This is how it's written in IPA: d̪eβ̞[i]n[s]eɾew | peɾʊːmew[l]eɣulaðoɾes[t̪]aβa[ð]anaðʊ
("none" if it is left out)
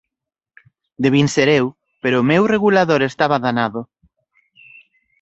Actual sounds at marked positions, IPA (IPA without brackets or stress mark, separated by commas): i, s, r, t̪, ð